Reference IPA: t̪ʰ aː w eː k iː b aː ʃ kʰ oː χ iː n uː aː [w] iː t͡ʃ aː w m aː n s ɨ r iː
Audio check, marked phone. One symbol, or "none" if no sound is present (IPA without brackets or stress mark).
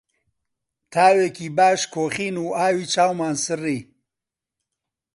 w